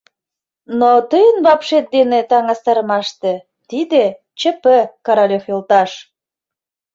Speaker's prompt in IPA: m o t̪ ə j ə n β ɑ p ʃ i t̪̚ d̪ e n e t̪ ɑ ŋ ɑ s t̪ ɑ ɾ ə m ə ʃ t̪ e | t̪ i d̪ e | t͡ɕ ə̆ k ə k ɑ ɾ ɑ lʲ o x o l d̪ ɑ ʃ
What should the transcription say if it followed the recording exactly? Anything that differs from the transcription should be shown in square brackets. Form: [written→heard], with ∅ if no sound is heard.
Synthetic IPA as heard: [m→n] o t̪ ə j ə n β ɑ p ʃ [i→e] t̪̚ d̪ e n e t̪ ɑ ŋ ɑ s t̪ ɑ ɾ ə m [ə→ɑ] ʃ t̪ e | t̪ i d̪ e | t͡ɕ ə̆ [k→p] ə k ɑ ɾ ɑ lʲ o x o l [d̪→t̪] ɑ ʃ

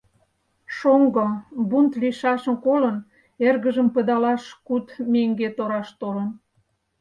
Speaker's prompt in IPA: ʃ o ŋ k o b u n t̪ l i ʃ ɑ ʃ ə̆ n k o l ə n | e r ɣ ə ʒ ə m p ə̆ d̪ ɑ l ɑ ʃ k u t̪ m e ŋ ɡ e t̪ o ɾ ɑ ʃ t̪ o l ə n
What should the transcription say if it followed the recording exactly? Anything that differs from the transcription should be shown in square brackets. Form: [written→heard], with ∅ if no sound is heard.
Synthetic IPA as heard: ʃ o ŋ [k→ɡ] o b u n t̪ l i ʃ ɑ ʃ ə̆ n k o l ə n | e r ɣ ə ʒ ə m p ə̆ d̪ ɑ l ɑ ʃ k u t̪ m e ŋ ɡ e t̪ o ɾ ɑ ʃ t̪ o l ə n

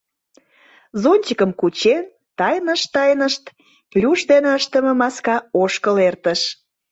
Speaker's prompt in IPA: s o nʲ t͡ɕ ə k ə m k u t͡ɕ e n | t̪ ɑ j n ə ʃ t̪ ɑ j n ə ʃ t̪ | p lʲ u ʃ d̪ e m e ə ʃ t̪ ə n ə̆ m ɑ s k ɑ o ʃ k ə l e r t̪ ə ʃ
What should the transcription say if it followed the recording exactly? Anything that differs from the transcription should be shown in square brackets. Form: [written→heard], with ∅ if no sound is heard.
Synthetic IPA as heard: [s→z] o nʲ t͡ɕ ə k ə m k u t͡ɕ e n | t̪ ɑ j n ə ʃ t̪ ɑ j n ə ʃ t̪ | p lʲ u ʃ d̪ e [m→n] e ə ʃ t̪ ə [n→m] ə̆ m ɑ s k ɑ o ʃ k ə l e r t̪ ə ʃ

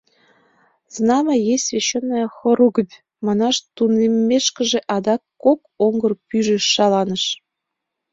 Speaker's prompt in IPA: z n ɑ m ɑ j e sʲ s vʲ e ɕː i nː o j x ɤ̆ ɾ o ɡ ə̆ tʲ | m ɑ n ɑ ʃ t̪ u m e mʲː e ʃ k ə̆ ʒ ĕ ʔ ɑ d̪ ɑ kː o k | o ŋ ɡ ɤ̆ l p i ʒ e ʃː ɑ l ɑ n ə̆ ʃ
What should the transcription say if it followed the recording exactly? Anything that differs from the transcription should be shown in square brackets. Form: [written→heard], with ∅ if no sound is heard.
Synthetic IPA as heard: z n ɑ m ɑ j e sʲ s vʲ e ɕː [i→e] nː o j x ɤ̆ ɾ [o→u] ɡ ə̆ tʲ | m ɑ n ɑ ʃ t̪ u [m→n] e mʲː e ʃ k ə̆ ʒ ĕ ʔ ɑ d̪ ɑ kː o k | o ŋ ɡ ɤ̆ [l→r] p [i→y] ʒ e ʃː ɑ l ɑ n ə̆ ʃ

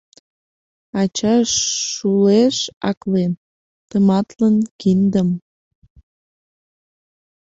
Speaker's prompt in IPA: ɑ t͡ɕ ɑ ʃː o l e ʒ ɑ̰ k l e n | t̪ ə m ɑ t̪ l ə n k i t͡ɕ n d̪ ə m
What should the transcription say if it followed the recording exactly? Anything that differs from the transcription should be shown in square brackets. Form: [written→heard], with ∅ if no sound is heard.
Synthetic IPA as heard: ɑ t͡ɕ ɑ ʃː [o→u] l e [ʒ→ʃ] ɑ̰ k l e n | t̪ ə m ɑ t̪ l ə n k i [t͡ɕ→∅] n d̪ ə m

